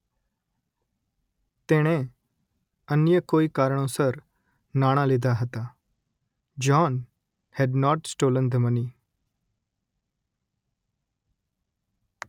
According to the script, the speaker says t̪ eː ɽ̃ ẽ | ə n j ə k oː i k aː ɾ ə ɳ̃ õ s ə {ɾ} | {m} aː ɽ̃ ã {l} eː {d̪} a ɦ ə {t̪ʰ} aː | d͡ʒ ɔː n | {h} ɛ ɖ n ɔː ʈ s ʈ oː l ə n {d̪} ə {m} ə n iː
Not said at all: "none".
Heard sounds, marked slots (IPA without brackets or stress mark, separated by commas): ɾ, n, l, d̪, t̪, h, d̪, m